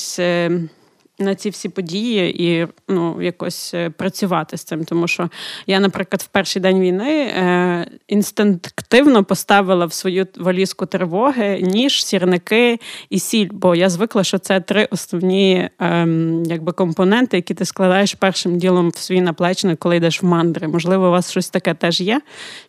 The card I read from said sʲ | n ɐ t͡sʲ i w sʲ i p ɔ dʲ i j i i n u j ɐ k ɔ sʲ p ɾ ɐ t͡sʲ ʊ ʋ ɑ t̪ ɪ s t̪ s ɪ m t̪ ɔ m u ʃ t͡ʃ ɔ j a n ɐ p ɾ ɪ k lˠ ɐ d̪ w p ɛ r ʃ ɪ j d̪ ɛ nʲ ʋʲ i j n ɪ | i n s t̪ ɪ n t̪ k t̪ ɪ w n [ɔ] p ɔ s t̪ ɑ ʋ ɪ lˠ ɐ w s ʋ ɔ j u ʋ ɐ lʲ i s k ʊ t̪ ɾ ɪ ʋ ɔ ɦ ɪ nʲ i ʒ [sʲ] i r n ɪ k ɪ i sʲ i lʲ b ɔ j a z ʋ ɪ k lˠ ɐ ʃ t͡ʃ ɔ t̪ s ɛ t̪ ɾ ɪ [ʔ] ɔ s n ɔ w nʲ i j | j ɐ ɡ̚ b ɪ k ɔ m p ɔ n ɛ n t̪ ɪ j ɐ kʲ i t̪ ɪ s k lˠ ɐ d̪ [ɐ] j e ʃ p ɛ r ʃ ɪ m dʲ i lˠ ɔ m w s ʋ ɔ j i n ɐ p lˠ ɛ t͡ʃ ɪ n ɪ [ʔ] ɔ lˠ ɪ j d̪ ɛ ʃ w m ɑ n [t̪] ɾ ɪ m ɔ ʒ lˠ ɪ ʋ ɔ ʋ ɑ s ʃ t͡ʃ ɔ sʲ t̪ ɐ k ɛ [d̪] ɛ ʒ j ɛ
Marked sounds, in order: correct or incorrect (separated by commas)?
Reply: correct, correct, correct, incorrect, incorrect, incorrect, incorrect